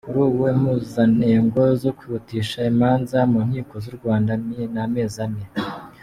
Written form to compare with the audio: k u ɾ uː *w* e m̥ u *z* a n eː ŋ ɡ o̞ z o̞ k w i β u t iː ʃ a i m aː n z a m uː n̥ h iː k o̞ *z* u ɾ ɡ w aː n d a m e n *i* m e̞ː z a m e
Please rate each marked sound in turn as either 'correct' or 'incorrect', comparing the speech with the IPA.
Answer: correct, correct, correct, incorrect

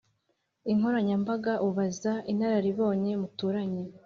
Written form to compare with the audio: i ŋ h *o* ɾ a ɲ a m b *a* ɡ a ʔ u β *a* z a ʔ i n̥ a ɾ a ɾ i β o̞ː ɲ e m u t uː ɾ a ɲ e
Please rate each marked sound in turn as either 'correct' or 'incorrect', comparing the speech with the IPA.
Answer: correct, correct, correct

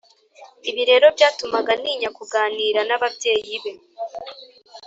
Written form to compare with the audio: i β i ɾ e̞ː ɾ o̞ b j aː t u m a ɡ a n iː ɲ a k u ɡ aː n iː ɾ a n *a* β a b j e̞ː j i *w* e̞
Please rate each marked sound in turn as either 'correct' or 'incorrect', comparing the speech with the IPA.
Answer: correct, incorrect

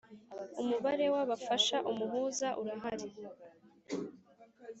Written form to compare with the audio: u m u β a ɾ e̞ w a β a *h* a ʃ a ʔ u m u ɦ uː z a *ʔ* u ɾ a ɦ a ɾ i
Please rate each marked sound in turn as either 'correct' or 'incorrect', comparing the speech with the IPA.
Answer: incorrect, correct

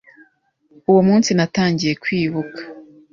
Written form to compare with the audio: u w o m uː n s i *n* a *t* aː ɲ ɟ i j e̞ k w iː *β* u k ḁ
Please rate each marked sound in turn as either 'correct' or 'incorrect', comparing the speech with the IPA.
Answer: correct, correct, correct

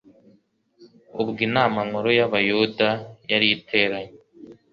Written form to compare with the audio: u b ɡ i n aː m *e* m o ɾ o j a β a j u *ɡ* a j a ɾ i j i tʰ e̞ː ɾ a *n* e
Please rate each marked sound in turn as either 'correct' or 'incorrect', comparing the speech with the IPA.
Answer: incorrect, incorrect, incorrect

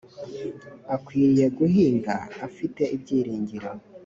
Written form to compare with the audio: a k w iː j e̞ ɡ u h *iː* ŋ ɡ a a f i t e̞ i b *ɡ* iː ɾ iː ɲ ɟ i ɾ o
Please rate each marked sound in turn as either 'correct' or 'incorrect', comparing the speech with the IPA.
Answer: correct, incorrect

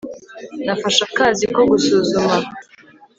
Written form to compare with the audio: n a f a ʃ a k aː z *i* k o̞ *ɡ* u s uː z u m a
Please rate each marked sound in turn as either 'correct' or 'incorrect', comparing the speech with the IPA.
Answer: correct, correct

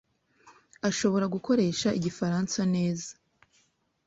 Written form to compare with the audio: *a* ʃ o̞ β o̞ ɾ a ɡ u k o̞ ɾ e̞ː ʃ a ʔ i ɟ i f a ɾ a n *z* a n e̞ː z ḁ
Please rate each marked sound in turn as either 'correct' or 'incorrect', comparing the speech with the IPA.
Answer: correct, incorrect

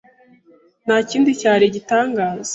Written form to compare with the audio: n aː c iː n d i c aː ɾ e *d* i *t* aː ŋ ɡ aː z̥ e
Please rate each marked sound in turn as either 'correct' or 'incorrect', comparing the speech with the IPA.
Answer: incorrect, correct

